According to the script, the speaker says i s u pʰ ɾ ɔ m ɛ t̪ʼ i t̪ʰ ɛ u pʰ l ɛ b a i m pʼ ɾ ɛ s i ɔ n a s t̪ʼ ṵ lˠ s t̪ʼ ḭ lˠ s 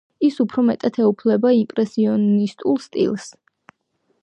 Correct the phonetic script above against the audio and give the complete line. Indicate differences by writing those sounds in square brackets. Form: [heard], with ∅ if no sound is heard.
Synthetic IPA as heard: i s u pʰ ɾ ɔ m ɛ t̪ʼ [a] t̪ʰ ɛ u pʰ l ɛ b a i m pʼ ɾ ɛ s i ɔ n [i] s t̪ʼ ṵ lˠ s t̪ʼ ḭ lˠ s